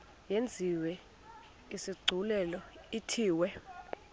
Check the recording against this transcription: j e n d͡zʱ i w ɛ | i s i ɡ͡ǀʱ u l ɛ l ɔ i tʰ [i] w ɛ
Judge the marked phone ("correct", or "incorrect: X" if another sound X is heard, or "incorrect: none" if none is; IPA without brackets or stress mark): incorrect: iː